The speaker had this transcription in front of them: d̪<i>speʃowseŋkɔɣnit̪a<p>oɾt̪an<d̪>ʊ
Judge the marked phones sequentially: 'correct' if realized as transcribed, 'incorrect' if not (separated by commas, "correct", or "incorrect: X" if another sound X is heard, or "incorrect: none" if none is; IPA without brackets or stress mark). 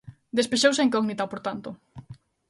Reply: incorrect: e, correct, incorrect: t̪